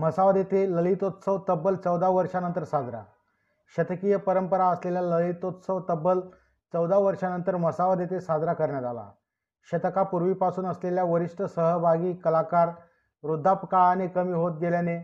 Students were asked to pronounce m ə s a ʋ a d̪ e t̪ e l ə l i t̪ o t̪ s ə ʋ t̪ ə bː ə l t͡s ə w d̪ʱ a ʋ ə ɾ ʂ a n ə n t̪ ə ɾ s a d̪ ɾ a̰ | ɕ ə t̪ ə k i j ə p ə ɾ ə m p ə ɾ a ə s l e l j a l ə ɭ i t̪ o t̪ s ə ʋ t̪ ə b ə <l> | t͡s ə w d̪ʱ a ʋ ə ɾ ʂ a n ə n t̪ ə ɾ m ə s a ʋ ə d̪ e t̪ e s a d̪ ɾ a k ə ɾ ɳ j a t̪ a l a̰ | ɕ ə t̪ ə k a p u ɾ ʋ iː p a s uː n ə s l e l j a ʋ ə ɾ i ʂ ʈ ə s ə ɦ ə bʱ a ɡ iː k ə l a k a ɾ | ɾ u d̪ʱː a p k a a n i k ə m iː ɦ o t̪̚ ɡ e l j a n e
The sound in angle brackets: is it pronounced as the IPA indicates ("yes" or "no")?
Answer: yes